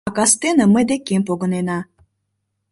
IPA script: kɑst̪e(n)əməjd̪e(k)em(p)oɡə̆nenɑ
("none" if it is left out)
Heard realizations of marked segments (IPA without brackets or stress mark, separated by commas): n, k, p